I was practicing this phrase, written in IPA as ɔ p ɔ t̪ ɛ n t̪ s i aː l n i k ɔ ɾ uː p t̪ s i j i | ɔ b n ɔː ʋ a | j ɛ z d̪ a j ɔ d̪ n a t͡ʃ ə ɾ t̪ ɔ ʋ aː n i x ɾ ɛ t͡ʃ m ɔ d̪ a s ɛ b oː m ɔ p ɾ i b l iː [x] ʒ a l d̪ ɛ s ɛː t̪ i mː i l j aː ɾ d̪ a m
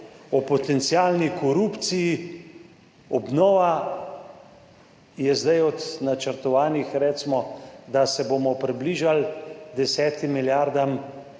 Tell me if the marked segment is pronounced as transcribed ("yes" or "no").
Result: no